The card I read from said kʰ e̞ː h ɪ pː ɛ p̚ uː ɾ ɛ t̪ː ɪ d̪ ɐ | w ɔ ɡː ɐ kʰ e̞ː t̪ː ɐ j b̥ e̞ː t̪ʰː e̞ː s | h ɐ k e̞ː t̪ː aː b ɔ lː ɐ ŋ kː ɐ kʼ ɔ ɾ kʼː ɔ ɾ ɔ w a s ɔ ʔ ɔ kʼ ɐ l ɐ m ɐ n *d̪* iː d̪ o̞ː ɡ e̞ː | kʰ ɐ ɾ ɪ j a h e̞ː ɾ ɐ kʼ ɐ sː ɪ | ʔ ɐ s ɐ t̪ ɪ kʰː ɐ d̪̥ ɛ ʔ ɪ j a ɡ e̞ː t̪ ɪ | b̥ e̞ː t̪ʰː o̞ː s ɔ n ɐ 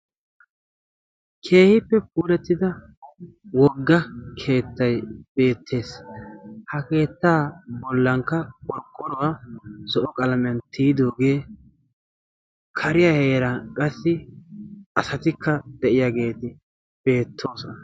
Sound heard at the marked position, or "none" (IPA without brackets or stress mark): t̪